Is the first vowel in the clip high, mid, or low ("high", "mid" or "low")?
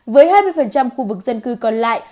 mid